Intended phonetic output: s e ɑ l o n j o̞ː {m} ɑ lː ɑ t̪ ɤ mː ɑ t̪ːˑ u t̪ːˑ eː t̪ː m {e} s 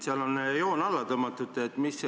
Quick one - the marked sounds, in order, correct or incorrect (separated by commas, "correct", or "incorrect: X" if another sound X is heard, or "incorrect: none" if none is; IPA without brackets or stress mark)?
incorrect: n, incorrect: i